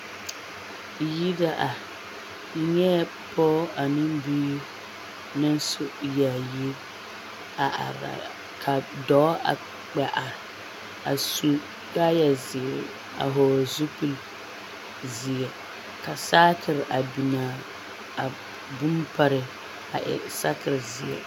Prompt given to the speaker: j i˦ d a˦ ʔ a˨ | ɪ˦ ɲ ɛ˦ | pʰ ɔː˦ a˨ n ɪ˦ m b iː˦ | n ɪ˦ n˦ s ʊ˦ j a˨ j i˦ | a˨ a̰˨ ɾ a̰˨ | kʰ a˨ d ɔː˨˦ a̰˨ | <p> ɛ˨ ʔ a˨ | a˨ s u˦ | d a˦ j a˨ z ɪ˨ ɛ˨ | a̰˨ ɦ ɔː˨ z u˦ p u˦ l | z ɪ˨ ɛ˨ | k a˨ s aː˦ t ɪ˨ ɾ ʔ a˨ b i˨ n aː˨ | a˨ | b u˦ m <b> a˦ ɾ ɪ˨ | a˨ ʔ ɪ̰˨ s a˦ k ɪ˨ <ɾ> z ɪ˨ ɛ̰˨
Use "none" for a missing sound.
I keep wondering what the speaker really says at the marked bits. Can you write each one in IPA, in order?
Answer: k͡p, p, ɾ

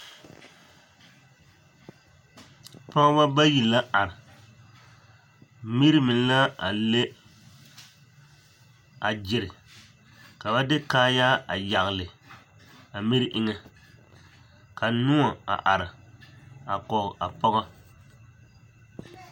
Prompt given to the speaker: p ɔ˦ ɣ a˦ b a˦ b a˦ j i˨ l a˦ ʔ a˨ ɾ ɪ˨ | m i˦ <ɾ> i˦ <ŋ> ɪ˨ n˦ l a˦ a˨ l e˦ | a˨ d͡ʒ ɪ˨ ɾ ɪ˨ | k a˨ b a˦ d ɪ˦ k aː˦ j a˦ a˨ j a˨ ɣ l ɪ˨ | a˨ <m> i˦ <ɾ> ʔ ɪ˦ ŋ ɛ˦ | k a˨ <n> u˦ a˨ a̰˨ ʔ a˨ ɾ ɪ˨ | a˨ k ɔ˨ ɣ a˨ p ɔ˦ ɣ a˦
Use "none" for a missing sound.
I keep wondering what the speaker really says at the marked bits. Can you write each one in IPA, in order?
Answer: ɾ, m, m, ɾ, n

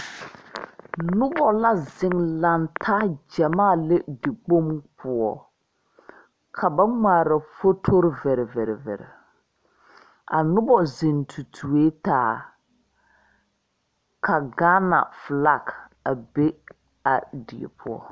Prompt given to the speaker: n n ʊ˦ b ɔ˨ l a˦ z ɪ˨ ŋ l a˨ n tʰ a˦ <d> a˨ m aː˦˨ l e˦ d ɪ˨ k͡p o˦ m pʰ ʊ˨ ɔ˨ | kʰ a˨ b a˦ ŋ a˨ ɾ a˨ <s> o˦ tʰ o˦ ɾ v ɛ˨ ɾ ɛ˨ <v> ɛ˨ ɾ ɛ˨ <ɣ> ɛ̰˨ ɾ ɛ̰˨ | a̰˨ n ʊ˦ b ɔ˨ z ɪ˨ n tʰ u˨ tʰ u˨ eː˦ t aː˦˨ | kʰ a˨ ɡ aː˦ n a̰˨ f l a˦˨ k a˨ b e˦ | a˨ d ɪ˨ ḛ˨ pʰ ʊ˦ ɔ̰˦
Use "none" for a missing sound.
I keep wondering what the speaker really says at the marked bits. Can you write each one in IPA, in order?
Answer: d͡ʒ, f, v, v

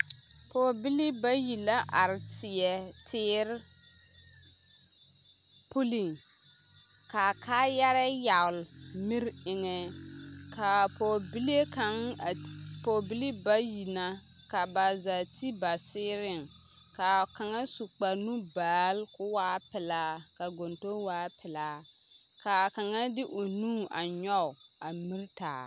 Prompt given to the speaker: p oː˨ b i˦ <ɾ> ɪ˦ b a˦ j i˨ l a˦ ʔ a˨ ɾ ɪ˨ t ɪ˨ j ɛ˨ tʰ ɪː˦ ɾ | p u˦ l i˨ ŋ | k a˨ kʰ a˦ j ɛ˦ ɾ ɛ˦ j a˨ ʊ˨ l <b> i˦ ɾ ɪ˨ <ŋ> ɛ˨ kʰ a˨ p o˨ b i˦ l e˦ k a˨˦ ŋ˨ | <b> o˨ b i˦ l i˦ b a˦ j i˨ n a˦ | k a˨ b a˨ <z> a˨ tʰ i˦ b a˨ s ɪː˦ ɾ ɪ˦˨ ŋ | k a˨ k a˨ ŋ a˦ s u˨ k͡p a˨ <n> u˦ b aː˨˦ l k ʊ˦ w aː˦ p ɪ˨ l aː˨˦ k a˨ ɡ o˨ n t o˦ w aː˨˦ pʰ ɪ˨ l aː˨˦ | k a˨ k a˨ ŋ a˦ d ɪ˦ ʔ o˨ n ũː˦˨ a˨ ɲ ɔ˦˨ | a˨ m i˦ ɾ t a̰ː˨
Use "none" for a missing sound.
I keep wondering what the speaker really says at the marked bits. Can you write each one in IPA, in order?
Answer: l, m, ŋ, p, z, n

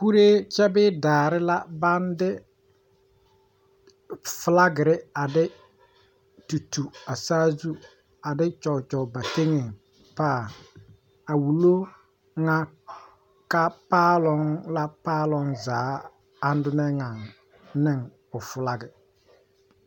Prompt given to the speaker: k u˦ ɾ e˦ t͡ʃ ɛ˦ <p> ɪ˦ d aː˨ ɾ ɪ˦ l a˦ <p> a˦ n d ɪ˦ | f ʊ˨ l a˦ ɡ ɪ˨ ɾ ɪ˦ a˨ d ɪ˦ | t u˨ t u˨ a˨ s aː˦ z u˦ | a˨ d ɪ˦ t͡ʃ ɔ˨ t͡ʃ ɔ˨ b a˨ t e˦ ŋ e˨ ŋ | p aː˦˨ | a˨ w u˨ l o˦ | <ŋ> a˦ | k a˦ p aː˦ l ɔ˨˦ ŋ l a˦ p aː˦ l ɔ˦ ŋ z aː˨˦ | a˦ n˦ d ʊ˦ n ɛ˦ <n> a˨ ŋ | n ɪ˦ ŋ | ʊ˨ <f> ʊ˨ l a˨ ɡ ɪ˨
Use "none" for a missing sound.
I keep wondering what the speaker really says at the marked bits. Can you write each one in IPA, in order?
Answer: b, b, ŋ, ŋ, f

